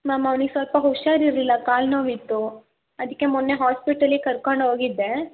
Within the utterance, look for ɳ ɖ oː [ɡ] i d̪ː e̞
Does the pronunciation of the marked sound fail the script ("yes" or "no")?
no